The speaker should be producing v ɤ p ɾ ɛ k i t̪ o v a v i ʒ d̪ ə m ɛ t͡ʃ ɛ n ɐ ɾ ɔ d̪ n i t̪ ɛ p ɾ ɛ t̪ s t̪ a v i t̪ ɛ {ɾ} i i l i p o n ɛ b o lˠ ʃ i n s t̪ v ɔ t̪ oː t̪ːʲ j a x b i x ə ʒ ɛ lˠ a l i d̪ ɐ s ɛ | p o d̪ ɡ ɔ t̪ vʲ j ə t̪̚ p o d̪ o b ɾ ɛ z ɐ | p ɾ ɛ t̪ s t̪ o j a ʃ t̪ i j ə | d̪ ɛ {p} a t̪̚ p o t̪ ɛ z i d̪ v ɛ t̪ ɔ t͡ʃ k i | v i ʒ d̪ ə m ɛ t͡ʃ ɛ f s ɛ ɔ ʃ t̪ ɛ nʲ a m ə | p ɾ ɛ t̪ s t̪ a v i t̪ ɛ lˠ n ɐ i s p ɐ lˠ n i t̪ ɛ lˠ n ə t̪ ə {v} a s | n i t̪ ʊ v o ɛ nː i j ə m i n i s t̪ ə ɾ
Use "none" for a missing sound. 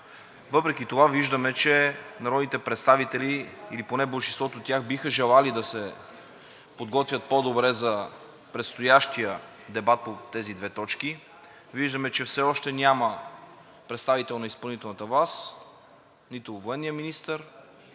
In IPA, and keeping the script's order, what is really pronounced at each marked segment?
l, b, v

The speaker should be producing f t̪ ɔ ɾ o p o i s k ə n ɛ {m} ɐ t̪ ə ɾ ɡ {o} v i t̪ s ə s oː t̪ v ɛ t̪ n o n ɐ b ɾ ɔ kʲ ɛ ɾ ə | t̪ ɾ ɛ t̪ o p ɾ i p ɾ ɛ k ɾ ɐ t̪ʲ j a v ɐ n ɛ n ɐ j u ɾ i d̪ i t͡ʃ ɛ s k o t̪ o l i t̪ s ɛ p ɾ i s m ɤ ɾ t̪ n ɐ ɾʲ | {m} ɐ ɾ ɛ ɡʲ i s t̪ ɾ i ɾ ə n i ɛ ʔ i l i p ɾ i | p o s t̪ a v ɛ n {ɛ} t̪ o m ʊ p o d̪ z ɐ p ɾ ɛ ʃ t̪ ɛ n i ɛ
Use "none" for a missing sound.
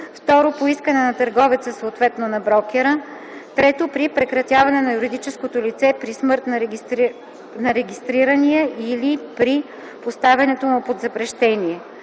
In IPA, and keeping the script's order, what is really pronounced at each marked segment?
n, ɔ, n, ɛ

